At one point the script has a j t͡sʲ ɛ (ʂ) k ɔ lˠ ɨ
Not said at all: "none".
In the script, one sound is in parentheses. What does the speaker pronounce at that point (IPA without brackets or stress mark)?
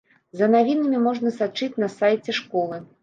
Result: ʂ